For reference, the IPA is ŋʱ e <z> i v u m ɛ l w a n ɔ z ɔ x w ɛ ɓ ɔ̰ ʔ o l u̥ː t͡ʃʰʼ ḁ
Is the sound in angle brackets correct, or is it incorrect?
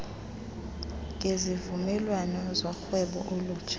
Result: correct